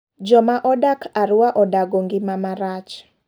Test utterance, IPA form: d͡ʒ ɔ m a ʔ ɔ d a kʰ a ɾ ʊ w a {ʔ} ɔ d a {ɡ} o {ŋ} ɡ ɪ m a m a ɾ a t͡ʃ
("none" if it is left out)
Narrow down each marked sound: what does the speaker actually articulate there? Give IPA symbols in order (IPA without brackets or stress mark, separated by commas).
ʔ, ɡ, ŋ